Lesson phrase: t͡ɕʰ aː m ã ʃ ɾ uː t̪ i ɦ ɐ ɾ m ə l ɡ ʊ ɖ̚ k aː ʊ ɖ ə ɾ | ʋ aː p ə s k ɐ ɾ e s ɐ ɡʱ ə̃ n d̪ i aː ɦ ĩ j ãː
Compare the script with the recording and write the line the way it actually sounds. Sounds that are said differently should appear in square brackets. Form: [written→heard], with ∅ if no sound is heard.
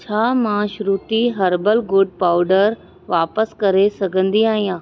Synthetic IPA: t͡ɕʰ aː m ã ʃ ɾ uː t̪ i ɦ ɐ ɾ [m→b] ə l ɡ ʊ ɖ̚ [k→p] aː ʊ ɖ ə ɾ | ʋ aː p ə s k ɐ ɾ e s ɐ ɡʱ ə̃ n d̪ i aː ɦ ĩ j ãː